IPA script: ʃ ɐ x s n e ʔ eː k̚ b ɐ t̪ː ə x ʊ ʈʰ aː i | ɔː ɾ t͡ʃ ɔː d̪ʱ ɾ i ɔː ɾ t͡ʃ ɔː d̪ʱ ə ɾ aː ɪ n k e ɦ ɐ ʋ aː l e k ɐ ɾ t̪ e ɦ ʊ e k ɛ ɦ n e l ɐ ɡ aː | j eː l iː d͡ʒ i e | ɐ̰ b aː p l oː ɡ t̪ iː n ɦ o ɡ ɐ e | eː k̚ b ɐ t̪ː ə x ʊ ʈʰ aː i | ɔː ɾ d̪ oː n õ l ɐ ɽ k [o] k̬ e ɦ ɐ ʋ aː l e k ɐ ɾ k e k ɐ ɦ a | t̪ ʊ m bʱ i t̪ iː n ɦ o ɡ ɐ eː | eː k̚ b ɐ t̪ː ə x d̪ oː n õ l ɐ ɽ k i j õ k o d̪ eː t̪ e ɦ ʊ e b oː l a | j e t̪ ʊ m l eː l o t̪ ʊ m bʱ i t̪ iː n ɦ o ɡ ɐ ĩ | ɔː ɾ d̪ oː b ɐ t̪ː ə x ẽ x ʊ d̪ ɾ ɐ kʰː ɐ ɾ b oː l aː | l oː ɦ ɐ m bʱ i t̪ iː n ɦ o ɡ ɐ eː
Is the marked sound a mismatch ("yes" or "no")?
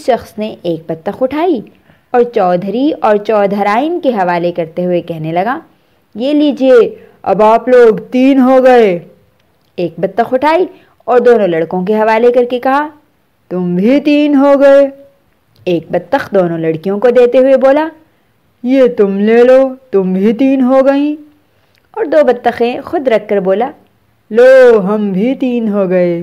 yes